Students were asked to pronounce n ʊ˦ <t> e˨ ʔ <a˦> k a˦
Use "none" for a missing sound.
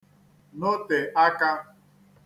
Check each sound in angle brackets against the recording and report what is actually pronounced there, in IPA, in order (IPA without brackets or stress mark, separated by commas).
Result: t, a˦